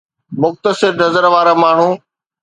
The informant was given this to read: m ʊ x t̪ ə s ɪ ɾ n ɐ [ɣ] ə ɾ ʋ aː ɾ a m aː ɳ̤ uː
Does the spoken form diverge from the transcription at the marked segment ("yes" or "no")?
yes